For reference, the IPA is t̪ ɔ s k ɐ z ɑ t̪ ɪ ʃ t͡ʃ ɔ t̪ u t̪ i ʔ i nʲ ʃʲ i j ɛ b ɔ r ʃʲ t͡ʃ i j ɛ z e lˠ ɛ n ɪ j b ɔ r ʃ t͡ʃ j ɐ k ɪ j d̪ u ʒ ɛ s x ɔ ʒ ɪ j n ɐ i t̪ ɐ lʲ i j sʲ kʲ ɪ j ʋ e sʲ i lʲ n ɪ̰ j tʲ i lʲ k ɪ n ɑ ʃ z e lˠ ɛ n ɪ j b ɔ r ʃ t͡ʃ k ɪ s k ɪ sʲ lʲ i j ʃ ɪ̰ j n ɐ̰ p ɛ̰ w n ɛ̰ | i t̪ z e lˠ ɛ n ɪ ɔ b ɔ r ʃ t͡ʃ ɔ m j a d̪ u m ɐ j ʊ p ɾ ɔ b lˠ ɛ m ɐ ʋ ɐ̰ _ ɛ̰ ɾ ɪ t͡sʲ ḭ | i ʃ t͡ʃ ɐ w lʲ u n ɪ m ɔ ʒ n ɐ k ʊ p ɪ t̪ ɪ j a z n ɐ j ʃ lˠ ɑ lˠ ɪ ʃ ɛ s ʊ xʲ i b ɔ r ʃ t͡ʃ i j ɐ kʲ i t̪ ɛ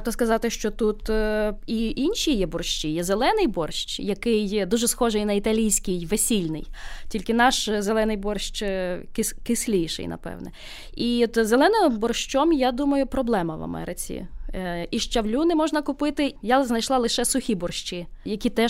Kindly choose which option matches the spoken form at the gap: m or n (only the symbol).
m